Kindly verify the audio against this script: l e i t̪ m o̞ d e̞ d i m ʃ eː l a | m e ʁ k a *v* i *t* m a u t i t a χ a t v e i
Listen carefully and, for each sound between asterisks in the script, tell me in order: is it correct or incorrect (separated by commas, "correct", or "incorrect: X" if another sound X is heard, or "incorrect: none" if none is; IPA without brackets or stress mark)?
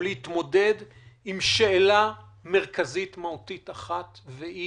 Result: incorrect: z, correct